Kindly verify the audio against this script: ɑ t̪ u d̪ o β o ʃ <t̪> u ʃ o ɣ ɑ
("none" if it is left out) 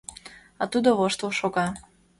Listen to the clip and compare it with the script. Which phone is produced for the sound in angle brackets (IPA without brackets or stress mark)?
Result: t̪